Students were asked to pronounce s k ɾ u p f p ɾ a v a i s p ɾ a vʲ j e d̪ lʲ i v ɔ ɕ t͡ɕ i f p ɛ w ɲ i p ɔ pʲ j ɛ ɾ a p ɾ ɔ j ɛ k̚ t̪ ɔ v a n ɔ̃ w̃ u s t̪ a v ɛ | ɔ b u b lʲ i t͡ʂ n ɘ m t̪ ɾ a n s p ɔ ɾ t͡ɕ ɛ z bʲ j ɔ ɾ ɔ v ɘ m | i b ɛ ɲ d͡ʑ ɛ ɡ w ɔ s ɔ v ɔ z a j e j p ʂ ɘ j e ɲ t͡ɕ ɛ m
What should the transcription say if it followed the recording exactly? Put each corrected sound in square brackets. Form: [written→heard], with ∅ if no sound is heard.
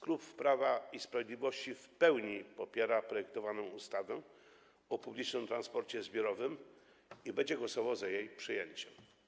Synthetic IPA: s k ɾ u p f p ɾ a v a i s p ɾ a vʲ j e d̪ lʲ i v ɔ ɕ t͡ɕ i f p ɛ w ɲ i p ɔ pʲ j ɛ ɾ a p ɾ ɔ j ɛ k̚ t̪ ɔ v a n ɔ̃ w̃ u s t̪ a v ɛ | ɔ [b→p] u b lʲ i t͡ʂ n ɘ m t̪ ɾ a n s p ɔ ɾ t͡ɕ ɛ z bʲ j ɔ ɾ ɔ v ɘ m | i b ɛ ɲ d͡ʑ ɛ ɡ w ɔ s ɔ v ɔ z a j e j p ʂ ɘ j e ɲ t͡ɕ ɛ m